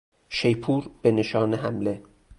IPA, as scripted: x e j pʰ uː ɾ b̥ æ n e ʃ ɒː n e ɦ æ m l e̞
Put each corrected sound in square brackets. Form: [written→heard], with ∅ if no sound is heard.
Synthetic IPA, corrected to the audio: [x→ʃ] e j pʰ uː ɾ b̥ [æ→e] n e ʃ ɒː n e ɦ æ m l e̞